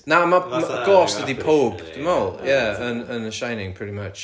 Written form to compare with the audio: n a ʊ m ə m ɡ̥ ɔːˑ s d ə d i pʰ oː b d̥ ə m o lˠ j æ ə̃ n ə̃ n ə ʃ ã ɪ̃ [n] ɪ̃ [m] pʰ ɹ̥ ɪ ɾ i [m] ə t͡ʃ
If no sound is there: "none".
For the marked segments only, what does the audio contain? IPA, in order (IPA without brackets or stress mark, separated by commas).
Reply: n, ŋ, m